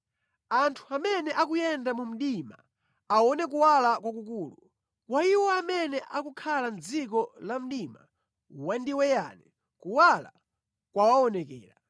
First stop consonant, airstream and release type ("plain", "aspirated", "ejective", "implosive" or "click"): aspirated